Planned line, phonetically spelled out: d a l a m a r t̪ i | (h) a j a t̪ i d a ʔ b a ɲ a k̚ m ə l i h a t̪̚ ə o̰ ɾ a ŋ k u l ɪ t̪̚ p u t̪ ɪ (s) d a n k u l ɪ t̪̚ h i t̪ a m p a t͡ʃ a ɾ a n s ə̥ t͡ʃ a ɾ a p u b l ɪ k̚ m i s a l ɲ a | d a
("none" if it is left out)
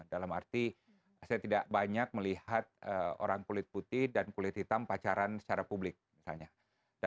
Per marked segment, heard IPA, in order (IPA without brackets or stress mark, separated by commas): s, h